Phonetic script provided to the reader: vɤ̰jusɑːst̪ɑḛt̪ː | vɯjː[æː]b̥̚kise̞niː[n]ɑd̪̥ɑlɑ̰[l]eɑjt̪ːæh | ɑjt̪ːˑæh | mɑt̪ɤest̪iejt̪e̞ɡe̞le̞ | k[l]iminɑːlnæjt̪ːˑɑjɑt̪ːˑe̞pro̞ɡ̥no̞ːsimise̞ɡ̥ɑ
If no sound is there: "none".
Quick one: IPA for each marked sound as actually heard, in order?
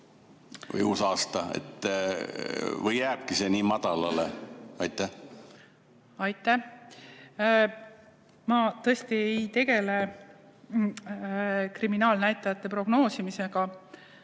æː, m, l, r

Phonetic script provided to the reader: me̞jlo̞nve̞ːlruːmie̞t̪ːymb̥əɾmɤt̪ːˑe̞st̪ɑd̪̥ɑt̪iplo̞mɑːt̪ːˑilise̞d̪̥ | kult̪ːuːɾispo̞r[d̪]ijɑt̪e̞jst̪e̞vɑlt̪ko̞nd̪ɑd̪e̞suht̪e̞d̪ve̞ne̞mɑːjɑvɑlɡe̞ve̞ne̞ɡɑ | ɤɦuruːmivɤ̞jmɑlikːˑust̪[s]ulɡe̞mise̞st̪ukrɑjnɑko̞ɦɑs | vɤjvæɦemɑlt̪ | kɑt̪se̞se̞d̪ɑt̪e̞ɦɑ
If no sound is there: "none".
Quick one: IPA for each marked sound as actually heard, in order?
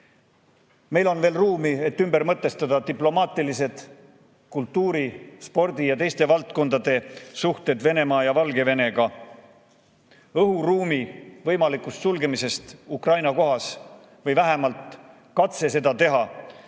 d̪, s

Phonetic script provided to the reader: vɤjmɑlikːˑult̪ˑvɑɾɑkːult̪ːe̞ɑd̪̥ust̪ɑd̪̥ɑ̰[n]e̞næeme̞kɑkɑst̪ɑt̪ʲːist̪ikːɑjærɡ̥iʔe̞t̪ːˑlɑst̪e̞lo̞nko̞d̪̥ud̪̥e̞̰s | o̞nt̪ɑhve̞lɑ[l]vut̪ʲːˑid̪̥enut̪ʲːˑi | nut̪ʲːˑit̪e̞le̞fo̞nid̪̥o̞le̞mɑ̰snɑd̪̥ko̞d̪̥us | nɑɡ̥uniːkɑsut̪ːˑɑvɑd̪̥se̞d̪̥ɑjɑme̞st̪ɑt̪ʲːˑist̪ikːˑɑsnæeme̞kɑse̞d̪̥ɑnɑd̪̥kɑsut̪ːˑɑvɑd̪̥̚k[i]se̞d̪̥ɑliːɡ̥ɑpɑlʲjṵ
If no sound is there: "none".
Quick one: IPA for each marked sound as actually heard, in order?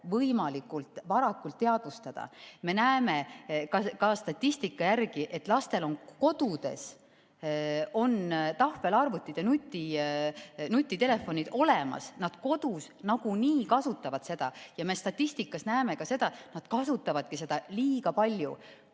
m, r, i

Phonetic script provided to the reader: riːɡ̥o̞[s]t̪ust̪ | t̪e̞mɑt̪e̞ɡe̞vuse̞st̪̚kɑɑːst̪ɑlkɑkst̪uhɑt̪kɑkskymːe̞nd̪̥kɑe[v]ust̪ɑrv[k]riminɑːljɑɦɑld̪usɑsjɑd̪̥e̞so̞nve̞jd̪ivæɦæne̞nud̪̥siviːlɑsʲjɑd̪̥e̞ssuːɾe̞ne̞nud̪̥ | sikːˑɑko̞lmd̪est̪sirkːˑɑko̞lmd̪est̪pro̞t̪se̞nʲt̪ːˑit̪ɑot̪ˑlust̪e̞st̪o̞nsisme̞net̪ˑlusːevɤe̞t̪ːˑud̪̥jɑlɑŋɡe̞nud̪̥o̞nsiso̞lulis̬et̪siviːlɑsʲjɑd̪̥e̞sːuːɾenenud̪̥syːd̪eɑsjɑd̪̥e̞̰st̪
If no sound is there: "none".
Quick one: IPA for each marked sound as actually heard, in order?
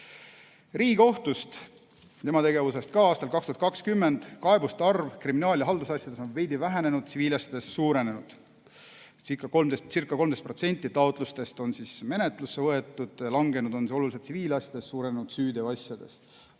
h, b, k

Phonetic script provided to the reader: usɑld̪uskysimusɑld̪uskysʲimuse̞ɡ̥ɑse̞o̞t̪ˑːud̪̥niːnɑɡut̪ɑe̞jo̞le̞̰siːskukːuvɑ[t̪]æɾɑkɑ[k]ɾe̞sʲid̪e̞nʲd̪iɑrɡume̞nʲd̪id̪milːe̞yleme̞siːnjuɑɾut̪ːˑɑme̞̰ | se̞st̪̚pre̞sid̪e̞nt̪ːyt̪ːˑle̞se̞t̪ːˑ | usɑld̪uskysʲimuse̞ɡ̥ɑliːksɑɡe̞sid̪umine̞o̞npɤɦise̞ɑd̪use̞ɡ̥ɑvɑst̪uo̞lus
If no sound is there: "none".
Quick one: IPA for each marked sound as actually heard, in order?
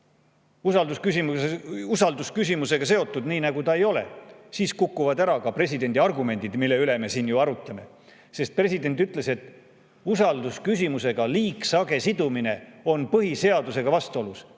d̪, p

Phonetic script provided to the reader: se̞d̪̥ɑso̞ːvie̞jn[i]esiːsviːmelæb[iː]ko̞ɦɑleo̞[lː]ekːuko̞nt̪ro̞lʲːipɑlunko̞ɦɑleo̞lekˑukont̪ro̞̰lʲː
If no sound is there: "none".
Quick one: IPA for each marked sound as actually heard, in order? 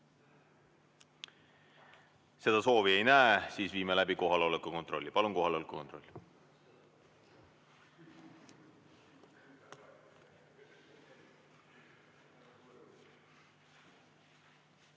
æ, i, l

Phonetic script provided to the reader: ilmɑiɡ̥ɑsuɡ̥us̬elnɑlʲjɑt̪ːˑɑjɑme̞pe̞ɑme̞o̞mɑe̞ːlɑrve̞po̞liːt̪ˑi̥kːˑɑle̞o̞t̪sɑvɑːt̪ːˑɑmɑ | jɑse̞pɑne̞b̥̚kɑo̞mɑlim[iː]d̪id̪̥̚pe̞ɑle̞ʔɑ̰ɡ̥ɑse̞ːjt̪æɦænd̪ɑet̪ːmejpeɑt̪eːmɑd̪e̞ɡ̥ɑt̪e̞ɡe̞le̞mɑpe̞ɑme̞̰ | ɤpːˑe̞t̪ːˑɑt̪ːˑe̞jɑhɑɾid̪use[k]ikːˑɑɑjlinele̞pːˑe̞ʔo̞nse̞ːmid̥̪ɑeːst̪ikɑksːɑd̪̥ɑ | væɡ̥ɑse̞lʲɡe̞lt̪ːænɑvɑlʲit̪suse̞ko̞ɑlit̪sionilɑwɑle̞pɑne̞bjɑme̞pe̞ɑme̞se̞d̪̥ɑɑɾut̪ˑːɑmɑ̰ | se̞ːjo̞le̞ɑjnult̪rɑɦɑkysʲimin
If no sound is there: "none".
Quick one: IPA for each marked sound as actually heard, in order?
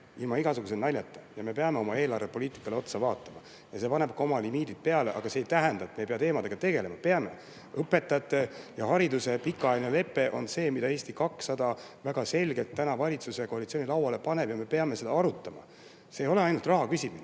iː, p

